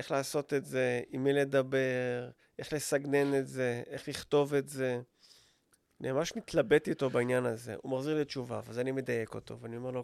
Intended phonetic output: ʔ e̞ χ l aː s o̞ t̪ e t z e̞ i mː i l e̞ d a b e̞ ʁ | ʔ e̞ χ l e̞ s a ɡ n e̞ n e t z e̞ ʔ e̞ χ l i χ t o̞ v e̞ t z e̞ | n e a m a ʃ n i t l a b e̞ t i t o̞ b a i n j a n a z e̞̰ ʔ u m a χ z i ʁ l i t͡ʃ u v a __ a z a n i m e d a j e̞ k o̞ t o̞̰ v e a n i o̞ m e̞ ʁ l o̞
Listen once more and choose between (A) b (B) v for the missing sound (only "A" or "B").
B